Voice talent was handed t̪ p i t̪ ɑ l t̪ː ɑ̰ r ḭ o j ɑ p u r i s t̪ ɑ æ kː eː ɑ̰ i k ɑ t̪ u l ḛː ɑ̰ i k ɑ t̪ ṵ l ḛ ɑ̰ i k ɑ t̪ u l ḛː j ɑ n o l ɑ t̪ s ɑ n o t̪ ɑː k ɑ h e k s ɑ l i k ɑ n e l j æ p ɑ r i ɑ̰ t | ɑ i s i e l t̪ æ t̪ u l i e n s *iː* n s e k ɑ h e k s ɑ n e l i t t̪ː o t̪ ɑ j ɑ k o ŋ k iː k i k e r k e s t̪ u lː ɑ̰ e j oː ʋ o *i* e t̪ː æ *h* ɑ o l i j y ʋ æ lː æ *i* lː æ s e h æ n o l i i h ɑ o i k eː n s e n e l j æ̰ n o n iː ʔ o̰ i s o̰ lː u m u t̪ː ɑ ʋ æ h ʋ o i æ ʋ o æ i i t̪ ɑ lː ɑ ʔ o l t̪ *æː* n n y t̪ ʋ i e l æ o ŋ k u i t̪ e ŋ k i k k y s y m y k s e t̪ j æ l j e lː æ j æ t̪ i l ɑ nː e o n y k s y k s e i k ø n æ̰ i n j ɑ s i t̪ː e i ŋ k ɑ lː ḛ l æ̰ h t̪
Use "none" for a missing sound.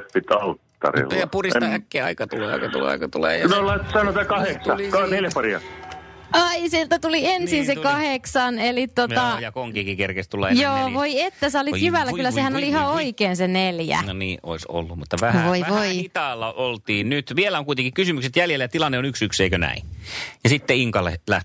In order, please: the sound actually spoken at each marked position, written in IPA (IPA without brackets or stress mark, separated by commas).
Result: i, i, s, y, iː